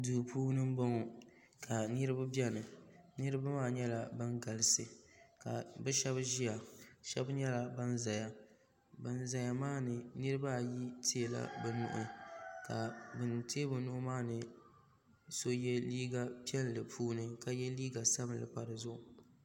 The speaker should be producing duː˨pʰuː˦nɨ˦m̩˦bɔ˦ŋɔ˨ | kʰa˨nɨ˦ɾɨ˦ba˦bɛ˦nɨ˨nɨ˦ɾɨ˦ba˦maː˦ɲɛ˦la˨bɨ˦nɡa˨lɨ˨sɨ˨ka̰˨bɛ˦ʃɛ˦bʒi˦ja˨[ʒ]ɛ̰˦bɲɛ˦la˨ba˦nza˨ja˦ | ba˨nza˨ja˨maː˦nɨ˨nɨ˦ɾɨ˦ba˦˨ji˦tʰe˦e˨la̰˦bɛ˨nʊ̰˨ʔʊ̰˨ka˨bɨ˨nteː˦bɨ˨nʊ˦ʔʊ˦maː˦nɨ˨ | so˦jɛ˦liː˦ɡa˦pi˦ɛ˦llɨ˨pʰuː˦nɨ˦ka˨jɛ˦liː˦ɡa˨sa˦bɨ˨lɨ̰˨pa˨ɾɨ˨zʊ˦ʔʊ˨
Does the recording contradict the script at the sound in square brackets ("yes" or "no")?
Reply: yes